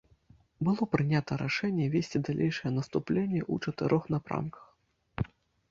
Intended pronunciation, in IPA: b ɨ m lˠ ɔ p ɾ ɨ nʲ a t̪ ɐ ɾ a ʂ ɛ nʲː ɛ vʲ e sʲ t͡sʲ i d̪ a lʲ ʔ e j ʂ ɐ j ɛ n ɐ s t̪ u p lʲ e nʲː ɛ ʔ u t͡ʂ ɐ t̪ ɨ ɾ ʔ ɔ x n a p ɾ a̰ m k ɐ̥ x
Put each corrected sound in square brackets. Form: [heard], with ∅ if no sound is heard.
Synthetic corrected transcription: b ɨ [∅] lˠ ɔ p ɾ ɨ nʲ a t̪ ɐ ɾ a ʂ ɛ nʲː ɛ vʲ e sʲ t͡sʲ i d̪ a lʲ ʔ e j ʂ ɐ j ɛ n ɐ s t̪ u p lʲ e nʲː ɛ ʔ u t͡ʂ ɐ t̪ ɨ ɾ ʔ ɔ x n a p ɾ a̰ m k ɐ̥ x